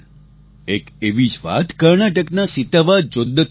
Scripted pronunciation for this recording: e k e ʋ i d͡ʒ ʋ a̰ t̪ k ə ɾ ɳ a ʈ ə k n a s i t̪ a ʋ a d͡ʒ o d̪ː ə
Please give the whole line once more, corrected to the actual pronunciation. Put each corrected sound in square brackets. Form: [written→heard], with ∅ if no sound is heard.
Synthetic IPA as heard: e k e ʋ i d͡ʒ ʋ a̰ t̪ k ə ɾ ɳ a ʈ ə k n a s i t̪ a ʋ a d͡ʒ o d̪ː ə